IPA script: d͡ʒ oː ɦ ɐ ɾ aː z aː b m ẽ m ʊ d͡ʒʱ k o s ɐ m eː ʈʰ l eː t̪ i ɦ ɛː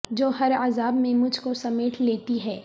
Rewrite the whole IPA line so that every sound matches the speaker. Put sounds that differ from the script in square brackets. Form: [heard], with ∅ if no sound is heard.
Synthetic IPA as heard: d͡ʒ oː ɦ ɐ ɾ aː z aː b m ẽ m ʊ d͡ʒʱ k o s ɐ m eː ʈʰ l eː t̪ i ɦ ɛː